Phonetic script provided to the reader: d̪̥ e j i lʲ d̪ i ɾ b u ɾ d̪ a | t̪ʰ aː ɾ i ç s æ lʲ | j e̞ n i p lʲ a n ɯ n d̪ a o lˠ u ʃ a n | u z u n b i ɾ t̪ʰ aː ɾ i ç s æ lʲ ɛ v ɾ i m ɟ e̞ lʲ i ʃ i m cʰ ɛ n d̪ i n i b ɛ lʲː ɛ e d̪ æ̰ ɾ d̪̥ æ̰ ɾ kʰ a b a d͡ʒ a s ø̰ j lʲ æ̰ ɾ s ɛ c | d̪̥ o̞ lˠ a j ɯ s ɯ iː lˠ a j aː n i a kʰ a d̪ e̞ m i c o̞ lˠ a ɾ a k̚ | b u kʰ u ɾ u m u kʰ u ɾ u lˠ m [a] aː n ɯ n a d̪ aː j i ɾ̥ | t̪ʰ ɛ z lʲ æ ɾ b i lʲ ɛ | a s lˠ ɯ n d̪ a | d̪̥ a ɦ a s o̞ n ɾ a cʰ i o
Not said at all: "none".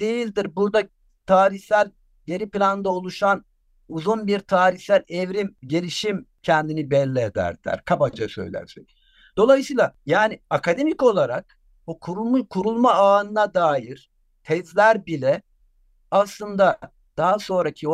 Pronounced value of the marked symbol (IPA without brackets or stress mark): a